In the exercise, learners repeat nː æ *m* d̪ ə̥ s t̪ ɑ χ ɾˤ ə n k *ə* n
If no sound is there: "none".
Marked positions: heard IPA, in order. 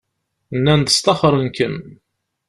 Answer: n, ə

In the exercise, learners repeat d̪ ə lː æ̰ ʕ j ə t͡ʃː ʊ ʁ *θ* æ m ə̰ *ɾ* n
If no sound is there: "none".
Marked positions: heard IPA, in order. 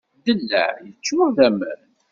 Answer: ð, ɾ

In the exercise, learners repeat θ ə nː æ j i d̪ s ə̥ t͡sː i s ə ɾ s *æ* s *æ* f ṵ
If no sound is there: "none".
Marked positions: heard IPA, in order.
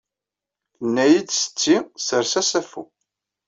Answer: æ, æ

